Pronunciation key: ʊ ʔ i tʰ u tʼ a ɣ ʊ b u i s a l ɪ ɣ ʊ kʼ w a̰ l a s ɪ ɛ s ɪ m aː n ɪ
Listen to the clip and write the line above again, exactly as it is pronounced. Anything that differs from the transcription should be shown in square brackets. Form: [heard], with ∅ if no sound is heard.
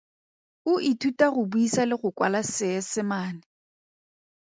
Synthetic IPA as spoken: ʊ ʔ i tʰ u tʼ a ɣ ʊ b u i s a l ɪ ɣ ʊ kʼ w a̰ l a s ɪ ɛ s ɪ m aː n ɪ